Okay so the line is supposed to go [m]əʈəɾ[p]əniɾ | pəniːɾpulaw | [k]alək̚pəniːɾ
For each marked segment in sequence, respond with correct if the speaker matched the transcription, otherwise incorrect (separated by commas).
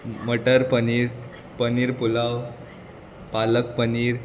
correct, correct, incorrect